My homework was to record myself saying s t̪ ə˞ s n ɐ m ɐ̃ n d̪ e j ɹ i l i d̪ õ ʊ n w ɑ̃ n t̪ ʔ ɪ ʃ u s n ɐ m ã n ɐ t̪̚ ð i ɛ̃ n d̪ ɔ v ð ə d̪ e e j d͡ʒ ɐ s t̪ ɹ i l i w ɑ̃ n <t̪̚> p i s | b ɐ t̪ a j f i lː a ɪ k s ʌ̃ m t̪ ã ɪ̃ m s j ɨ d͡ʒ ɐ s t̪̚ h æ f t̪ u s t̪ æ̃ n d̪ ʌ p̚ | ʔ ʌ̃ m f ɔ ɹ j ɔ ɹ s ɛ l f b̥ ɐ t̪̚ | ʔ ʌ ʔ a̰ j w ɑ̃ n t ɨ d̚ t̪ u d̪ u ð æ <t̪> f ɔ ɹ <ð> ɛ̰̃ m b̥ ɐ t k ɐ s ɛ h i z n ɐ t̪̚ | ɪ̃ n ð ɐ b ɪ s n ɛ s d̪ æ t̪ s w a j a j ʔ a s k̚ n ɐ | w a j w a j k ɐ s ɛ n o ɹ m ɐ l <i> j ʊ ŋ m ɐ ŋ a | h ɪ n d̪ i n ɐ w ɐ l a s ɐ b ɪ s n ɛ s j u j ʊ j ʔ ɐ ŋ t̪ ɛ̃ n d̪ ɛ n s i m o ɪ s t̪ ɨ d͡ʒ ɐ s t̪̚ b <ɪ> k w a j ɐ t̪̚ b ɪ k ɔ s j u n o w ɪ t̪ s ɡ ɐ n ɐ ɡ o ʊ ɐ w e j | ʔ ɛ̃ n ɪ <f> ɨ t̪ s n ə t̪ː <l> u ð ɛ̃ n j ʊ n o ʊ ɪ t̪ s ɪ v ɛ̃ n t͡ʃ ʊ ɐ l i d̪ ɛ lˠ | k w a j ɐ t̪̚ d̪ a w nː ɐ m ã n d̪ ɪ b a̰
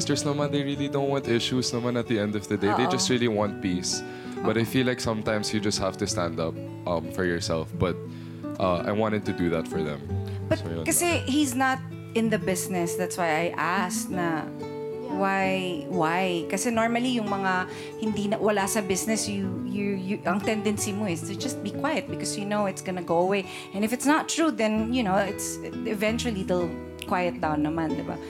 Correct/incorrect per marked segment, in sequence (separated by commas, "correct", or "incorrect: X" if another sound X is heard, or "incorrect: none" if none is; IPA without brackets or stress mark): correct, correct, correct, correct, incorrect: i, correct, incorrect: ɹ